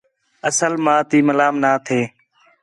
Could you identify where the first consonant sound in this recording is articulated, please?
alveolar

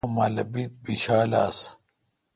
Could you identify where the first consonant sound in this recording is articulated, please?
labial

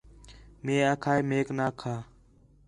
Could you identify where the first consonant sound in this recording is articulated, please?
labial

